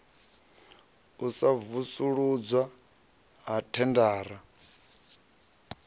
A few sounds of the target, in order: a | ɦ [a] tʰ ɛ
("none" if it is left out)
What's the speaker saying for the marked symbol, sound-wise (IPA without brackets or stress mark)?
a